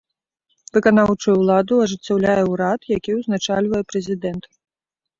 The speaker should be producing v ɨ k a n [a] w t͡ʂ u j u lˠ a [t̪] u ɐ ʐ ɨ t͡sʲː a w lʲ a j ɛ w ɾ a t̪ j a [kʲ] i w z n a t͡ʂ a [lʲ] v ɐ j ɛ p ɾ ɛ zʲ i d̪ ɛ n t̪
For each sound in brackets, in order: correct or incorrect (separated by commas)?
correct, incorrect, correct, correct